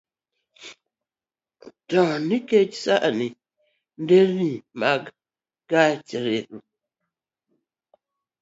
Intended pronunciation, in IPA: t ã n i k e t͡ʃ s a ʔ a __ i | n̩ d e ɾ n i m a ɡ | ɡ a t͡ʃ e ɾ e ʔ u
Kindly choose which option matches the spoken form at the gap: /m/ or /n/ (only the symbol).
n